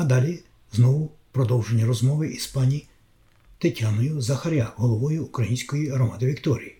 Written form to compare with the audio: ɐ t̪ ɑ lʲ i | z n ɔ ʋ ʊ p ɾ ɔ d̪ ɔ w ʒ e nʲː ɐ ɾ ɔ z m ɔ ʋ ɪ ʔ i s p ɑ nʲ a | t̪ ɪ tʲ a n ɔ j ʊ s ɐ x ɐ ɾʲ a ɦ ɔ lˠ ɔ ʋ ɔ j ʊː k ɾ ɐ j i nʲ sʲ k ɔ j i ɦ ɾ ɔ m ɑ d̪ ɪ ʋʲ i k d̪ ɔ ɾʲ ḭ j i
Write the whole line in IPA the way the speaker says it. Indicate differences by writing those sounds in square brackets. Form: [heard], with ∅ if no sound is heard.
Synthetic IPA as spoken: ɐ [d̪] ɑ lʲ i | z n ɔ ʋ ʊ p ɾ ɔ d̪ ɔ w ʒ e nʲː ɐ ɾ ɔ z m ɔ ʋ ɪ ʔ i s p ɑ nʲ [i] | t̪ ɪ tʲ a n ɔ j ʊ [z] ɐ x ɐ ɾʲ a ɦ ɔ lˠ ɔ ʋ ɔ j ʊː k ɾ ɐ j i nʲ sʲ k ɔ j i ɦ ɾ ɔ m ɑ d̪ ɪ ʋʲ i k [t̪] ɔ ɾʲ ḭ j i